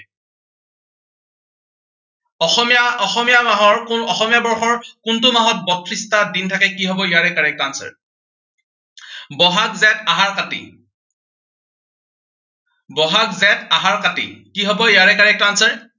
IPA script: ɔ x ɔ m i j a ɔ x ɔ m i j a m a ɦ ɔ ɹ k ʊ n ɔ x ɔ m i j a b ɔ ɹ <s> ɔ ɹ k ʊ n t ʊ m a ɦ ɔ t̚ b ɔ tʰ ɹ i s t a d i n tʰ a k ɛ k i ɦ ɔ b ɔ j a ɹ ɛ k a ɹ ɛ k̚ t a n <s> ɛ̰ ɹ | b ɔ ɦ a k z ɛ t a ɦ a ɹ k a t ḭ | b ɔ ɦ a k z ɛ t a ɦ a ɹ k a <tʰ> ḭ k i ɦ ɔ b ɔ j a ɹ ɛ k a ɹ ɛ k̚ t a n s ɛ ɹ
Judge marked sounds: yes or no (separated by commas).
no, yes, no